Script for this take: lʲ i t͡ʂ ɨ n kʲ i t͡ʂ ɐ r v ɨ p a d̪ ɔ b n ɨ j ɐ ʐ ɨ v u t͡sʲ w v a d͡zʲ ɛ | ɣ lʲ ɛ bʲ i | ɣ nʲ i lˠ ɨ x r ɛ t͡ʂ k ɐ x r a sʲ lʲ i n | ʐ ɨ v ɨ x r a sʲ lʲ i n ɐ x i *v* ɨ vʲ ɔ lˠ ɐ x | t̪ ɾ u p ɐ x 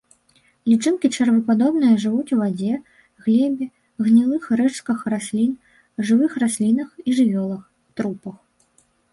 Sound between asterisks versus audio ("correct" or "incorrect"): incorrect